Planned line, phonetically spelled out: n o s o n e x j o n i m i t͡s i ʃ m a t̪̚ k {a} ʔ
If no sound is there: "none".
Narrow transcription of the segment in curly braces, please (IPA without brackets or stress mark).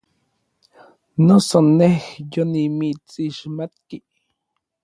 i